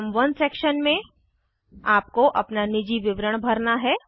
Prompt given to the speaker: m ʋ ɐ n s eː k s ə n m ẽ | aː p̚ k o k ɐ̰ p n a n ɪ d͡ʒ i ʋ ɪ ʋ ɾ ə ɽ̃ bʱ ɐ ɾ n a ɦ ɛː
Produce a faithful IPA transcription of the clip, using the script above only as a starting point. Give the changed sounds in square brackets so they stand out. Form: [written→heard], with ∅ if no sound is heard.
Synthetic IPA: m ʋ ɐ n s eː k [s→ʃ] ə n m ẽ | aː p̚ k o [k→ʔ] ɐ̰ p n a n ɪ d͡ʒ i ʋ ɪ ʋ ɾ ə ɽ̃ bʱ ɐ ɾ n a ɦ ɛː